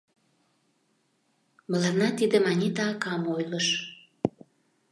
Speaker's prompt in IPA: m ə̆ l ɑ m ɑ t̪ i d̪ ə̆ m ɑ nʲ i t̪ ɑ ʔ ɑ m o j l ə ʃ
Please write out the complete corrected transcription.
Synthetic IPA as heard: m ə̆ l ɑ n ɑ t̪ i d̪ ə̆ m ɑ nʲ i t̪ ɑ k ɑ m o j l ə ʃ